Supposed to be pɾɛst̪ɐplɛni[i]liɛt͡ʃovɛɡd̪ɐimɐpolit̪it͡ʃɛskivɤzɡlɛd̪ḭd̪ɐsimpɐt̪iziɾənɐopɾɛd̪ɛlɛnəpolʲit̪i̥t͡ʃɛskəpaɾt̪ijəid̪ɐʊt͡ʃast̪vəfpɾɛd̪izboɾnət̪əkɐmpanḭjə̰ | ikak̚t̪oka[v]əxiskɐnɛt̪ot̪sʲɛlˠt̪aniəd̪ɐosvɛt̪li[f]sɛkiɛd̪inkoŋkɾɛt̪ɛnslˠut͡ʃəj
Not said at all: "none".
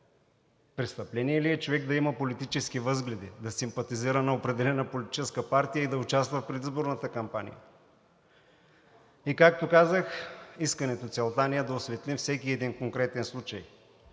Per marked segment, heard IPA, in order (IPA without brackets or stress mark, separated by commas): ɛ, z, f